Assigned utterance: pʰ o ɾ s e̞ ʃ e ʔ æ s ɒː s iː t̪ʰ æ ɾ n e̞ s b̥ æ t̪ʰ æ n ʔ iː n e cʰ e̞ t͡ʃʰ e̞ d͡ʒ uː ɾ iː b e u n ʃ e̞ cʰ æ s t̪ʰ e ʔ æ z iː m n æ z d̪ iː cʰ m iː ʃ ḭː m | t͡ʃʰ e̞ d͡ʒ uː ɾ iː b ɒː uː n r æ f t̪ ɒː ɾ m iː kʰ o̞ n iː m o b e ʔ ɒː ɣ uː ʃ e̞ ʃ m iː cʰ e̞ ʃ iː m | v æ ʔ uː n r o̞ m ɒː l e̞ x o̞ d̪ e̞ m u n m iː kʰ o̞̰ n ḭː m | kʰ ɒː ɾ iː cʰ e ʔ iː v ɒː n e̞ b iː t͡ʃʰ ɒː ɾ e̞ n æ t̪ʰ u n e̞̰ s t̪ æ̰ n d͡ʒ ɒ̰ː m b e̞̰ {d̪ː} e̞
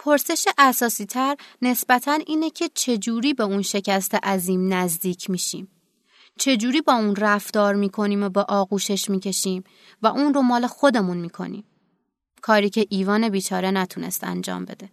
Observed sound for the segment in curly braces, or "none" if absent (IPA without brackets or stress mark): d̪